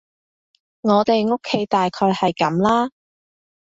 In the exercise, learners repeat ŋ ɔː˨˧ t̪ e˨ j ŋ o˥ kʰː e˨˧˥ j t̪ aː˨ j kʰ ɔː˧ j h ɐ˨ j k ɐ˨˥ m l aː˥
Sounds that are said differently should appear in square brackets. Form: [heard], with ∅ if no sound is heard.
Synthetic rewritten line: ŋ ɔː˨˧ t̪ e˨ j ŋ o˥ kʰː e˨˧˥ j t̪ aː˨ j kʰ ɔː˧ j h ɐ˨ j k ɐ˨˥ m l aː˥